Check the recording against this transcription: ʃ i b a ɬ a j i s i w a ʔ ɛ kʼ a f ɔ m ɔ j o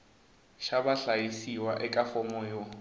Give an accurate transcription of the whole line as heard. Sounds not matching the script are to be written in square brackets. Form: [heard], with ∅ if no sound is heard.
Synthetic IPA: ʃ [a] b a ɬ a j i s i w a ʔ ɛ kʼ a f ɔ m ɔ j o